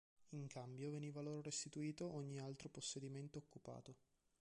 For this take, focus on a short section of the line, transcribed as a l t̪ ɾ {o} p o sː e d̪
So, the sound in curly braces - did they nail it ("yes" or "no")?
yes